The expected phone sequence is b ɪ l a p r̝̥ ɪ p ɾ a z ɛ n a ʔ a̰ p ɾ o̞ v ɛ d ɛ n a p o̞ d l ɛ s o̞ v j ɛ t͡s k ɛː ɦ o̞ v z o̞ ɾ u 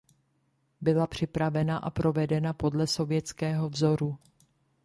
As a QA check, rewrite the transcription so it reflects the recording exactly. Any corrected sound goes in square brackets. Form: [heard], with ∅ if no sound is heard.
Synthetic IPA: b ɪ l a p r̝̥ ɪ p ɾ a [v] ɛ n a ʔ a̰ p ɾ o̞ v ɛ d ɛ n a p o̞ d l ɛ s o̞ v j ɛ t͡s k ɛː ɦ o̞ v z o̞ ɾ u

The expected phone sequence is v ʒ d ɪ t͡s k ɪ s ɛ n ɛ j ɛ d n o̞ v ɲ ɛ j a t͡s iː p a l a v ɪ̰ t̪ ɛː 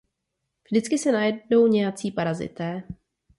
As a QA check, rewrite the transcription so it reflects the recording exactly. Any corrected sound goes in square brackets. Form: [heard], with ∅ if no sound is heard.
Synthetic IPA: v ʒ d ɪ t͡s k ɪ s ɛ n [a] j ɛ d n o̞ [w] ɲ ɛ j a t͡s iː p a [ɾ] a [z] ɪ̰ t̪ ɛː

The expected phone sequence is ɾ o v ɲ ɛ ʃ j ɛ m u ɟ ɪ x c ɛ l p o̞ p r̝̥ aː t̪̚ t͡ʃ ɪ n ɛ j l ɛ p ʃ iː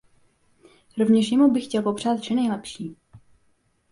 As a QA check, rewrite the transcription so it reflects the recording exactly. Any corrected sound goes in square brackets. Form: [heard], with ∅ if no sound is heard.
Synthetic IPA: ɾ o v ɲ ɛ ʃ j ɛ m u [b] ɪ x c ɛ l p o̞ p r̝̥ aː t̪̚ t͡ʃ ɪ n ɛ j l ɛ p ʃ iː

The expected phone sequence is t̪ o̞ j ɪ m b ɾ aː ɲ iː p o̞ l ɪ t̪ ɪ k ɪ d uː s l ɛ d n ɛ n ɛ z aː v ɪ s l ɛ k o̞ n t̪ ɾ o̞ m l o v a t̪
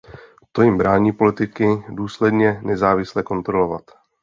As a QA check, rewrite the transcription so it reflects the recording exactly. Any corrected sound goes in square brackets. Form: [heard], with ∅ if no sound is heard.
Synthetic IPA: t̪ o̞ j ɪ m b ɾ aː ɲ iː p o̞ l ɪ t̪ ɪ k ɪ d uː s l ɛ d [ɲ] ɛ n ɛ z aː v ɪ s l ɛ k o̞ n t̪ ɾ o̞ [∅] l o v a t̪

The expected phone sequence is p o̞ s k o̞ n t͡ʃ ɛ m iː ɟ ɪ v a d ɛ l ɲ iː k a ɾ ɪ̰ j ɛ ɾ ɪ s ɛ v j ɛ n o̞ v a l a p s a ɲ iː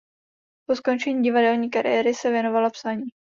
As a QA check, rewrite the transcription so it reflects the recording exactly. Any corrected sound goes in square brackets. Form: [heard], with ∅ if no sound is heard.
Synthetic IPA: p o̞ s k o̞ n t͡ʃ ɛ [ɲ] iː ɟ ɪ v a d ɛ l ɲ iː k a ɾ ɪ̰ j ɛ ɾ ɪ s ɛ v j ɛ n o̞ v a l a p s a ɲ iː

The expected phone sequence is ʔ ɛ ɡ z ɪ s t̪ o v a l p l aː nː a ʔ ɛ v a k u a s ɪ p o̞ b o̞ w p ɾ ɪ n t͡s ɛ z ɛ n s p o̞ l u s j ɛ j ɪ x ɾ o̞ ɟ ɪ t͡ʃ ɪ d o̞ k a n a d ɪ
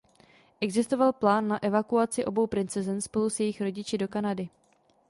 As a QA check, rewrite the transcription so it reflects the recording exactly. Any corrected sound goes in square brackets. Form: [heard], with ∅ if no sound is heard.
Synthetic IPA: ʔ ɛ ɡ z ɪ s t̪ o v a l p l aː nː a ʔ ɛ v a k u a [t͡s] ɪ [ʔ] o̞ b o̞ w p ɾ ɪ n t͡s ɛ z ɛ n s p o̞ l u s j ɛ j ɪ x ɾ o̞ ɟ ɪ t͡ʃ ɪ d o̞ k a n a d ɪ

